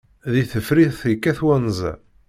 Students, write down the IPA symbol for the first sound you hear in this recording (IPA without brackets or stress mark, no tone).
ð